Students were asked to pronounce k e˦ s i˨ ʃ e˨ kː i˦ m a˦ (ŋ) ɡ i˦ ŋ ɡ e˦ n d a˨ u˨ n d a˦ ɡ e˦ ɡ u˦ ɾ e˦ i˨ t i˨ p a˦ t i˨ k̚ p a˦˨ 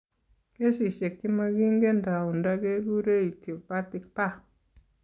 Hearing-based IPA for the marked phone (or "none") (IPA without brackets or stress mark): none